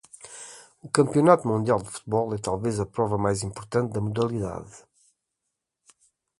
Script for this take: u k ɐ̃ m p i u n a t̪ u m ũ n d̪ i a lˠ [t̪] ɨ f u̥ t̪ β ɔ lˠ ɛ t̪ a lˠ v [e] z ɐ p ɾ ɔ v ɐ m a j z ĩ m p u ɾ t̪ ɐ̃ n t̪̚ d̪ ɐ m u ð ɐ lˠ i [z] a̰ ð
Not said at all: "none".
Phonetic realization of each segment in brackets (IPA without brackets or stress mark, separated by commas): d̪, e, ð